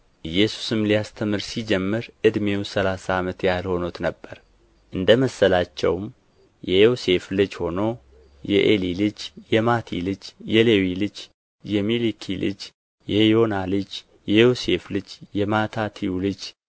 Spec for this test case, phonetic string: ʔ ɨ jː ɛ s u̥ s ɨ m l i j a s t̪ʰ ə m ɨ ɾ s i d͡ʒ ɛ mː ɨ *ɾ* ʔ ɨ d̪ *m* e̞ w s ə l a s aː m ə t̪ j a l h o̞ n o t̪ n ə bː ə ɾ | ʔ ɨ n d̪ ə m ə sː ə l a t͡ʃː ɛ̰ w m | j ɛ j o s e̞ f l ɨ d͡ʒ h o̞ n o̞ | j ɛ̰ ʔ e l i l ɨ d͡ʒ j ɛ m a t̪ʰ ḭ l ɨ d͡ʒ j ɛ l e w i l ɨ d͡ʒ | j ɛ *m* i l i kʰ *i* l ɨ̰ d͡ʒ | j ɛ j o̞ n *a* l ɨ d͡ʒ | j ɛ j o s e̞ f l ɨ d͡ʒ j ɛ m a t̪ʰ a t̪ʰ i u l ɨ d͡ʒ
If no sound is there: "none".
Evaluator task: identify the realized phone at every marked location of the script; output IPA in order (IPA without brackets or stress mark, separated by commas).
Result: ɾ, m, m, i, a